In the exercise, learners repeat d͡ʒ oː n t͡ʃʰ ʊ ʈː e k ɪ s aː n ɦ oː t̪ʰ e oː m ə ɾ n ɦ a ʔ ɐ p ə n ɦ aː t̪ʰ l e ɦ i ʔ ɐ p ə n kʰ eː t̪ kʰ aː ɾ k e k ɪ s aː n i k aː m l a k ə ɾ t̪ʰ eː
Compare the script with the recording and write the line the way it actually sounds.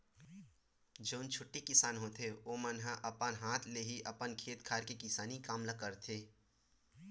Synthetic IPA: d͡ʒ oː n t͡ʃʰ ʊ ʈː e k ɪ s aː n ɦ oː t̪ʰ e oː m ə n ɦ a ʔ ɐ p ə n ɦ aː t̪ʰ l e ɦ i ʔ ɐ p ə n kʰ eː t̪ kʰ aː ɾ k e k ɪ s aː n i k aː m l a k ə ɾ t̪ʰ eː